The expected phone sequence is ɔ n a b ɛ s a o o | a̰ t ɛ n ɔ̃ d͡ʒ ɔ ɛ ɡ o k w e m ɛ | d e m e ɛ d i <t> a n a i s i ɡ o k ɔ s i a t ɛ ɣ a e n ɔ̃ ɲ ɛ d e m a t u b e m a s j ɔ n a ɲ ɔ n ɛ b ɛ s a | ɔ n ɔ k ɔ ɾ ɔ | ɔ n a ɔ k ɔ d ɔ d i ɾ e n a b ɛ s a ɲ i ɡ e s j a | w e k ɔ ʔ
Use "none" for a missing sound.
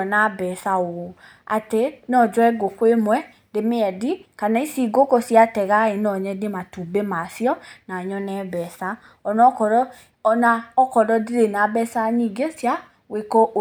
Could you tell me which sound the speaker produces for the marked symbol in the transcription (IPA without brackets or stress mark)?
k